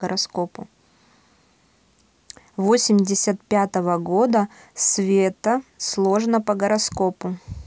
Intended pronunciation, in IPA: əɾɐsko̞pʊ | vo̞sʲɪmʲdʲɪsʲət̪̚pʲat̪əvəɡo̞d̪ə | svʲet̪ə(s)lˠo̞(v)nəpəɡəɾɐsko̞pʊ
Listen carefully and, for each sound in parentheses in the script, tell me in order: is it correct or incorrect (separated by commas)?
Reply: correct, incorrect